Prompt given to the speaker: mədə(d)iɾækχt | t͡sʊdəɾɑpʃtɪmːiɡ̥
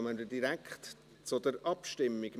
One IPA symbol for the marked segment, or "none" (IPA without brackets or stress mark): d